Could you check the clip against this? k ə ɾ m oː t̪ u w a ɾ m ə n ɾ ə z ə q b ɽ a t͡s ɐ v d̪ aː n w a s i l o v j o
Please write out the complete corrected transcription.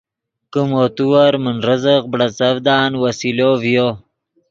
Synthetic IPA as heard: k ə m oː t̪ u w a ɾ m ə n ɾ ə z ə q b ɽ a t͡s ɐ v d̪ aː n w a s i l o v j o